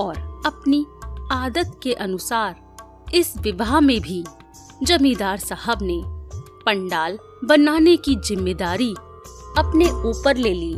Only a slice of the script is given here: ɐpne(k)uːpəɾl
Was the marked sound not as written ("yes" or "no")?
yes